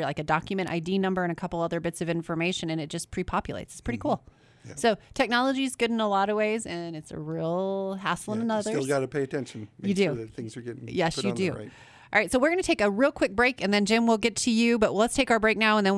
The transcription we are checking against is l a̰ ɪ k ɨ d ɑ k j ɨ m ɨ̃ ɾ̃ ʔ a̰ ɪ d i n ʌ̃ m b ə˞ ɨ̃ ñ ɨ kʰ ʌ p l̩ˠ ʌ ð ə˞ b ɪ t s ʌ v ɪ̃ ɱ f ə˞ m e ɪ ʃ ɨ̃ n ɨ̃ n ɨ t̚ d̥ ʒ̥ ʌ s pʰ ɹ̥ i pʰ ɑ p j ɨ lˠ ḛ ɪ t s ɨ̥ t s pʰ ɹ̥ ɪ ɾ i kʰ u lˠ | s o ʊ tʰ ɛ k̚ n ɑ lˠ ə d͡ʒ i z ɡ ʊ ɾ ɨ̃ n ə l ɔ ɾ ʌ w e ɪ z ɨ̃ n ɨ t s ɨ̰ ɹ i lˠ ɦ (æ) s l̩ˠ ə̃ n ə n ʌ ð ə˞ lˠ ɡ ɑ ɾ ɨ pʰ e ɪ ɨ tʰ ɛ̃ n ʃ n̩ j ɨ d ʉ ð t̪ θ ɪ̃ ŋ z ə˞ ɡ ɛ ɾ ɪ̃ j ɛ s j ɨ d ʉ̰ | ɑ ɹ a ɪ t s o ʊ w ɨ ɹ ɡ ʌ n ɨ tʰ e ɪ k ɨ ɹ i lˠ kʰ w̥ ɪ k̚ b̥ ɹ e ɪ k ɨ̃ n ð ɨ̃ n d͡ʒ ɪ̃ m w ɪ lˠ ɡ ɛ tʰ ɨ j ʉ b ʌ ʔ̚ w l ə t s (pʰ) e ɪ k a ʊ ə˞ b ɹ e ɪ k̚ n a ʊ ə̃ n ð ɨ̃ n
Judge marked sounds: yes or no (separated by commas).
yes, no